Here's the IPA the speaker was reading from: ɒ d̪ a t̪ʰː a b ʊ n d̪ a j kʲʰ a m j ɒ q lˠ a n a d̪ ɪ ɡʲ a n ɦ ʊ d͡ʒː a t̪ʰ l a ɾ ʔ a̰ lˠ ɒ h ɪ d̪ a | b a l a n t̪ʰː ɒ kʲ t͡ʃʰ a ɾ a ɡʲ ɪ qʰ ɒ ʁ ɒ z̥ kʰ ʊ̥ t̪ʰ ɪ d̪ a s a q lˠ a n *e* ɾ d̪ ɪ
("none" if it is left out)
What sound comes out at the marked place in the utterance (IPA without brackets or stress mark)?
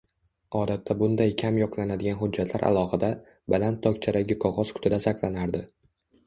a